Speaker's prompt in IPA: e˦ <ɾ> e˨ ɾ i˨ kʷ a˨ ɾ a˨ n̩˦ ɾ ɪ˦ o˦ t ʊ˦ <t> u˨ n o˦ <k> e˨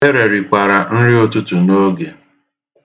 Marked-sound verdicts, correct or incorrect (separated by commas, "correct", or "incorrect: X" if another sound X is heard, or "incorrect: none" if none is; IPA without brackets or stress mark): correct, correct, incorrect: ɡ